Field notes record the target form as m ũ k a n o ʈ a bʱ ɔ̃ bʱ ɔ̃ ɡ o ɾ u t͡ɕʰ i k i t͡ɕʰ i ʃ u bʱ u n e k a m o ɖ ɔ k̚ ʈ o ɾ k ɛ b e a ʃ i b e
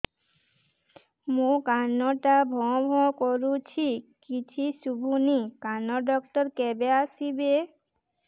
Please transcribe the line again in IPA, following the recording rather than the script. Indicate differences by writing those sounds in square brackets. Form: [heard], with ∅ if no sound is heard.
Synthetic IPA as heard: m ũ k a n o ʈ a bʱ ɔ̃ bʱ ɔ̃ [k] o ɾ u t͡ɕʰ i k i t͡ɕʰ i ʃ u bʱ u n [i] k a [n] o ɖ ɔ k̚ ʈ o ɾ k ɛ b e a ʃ i b e